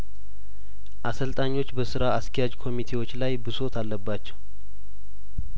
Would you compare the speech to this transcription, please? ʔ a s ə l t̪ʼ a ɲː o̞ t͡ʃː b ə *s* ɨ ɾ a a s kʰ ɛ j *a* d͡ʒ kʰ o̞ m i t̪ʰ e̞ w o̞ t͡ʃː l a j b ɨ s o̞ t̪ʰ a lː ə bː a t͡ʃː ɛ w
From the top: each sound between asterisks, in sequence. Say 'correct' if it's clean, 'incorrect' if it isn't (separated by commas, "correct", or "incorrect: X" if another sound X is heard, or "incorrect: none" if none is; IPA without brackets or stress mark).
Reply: correct, correct